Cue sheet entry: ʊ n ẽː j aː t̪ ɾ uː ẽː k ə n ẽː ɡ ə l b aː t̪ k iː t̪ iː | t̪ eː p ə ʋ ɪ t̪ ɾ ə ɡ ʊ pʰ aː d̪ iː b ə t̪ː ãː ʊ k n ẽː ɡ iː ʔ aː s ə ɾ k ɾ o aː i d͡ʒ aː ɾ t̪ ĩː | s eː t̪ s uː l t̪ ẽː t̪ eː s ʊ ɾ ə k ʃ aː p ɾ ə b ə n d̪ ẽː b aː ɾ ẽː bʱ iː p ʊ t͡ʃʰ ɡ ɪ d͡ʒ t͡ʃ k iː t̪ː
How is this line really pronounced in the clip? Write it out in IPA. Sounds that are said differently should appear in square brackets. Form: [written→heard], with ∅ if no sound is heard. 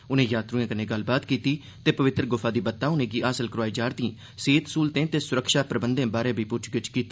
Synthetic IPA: ʊ n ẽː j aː t̪ ɾ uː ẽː k ə n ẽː ɡ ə l b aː t̪ k iː t̪ iː | t̪ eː p ə ʋ ɪ t̪ ɾ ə ɡ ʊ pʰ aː d̪ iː b ə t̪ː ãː ʊ [k→∅] n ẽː ɡ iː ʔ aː s ə [ɾ→l] k ɾ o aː i d͡ʒ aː ɾ t̪ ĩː | s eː t̪ s uː l t̪ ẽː t̪ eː s ʊ ɾ ə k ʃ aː p ɾ ə b ə n d̪ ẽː b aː ɾ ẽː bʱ iː p ʊ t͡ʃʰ ɡ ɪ [d͡ʒ→∅] t͡ʃ k iː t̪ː